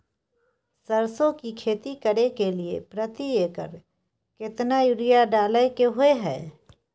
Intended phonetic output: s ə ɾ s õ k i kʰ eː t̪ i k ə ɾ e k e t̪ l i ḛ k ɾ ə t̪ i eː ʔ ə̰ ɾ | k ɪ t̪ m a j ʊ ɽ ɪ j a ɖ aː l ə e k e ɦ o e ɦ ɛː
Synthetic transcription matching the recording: s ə ɾ s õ k i kʰ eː t̪ i k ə ɾ e k e l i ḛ p ɾ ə t̪ i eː k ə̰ ɾ | k ɪ t̪ n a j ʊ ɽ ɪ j a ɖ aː l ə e k e ɦ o e ɦ ɛː